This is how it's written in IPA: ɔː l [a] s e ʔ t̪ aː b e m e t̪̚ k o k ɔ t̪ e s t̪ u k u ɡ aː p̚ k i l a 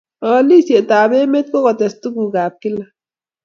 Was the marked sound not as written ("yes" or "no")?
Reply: yes